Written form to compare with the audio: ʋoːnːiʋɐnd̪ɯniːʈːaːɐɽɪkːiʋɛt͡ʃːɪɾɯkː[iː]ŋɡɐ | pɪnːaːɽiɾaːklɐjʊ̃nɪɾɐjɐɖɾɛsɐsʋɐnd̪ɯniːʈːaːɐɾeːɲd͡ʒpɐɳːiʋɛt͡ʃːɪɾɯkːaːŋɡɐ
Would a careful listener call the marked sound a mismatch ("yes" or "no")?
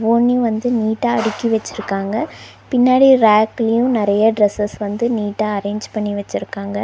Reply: yes